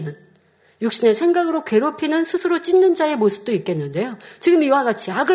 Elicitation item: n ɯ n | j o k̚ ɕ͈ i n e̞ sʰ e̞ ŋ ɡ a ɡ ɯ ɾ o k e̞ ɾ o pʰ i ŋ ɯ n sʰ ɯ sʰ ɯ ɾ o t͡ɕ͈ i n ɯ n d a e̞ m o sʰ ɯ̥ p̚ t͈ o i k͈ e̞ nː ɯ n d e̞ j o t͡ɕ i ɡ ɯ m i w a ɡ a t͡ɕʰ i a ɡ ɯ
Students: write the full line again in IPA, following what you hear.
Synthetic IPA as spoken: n ɯ n | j u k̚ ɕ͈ i n e̞ sʰ e̞ ŋ ɡ a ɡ ɯ ɾ o k e̞ ɾ o pʰ i n ɯ n sʰ ɯ sʰ ɯ ɾ o t͡ɕ͈ i nː ɯ n d͡ʑ a e̞ m o sʰ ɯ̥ p̚ t͈ o i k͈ e̞ nː ɯ n d e̞ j o t͡ɕ i ɡ ɯ m i w a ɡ a t͡ɕʰ i a ɡ ɯ